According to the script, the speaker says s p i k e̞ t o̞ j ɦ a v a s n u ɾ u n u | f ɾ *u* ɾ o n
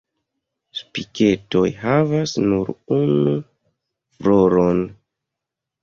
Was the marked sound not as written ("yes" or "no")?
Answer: yes